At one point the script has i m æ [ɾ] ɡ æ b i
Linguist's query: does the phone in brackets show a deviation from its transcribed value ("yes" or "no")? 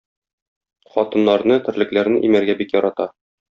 no